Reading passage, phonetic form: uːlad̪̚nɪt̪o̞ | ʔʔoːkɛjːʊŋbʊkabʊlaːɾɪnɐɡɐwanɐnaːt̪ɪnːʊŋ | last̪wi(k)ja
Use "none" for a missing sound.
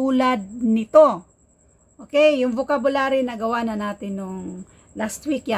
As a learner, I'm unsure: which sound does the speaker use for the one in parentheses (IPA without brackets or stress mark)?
k